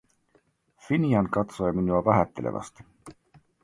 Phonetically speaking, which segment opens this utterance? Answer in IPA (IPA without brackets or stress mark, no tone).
f